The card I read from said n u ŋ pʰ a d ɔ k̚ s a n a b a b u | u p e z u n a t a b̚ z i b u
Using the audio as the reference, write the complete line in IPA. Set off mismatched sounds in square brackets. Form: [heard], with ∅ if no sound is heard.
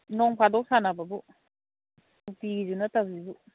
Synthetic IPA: n [ɔ] ŋ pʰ a d ɔ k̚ s a n a b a b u | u p [i] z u n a t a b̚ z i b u